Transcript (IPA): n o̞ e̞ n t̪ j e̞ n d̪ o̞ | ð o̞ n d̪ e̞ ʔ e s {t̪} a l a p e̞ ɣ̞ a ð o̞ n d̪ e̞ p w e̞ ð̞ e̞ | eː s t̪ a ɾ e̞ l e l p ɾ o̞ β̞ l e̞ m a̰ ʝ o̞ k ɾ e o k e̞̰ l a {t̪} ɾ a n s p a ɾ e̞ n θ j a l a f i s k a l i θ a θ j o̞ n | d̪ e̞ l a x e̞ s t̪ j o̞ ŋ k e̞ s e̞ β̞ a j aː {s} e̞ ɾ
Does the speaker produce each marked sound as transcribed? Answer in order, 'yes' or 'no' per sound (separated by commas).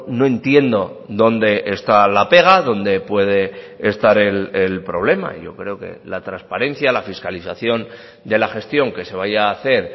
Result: yes, yes, no